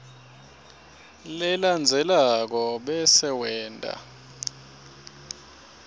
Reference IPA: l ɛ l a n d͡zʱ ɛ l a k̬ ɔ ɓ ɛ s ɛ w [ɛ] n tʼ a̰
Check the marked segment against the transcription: incorrect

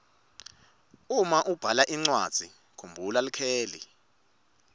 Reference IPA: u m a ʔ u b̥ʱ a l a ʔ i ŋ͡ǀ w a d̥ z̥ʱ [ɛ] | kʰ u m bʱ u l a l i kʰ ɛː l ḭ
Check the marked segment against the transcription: incorrect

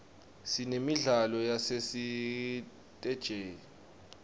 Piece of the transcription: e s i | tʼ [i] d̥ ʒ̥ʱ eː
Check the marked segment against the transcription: incorrect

